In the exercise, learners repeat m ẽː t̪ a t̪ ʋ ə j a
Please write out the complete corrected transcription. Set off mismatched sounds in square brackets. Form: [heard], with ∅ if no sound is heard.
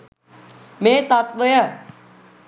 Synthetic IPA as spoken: m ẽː t̪ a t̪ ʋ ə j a